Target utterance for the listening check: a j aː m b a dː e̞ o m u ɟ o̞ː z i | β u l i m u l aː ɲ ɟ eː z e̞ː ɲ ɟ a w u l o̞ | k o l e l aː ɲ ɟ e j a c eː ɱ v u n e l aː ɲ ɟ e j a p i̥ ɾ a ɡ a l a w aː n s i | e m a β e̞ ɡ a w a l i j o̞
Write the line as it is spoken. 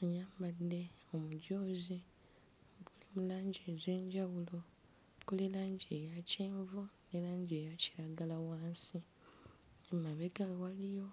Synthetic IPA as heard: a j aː m b a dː e̞ o m u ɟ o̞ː z i | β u l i m u l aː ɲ ɟ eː z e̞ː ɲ ɟ a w u l o̞ | k o l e l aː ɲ ɟ e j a c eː ɱ v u n e l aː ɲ ɟ e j a c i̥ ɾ a ɡ a l a w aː n s i | e m a β e̞ ɡ a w a l i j o̞